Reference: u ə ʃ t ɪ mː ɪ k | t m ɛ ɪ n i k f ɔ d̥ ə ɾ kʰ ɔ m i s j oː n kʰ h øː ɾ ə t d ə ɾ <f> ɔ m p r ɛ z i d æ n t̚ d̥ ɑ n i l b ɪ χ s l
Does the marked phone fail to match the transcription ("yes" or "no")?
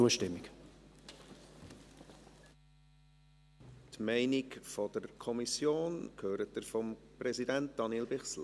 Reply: no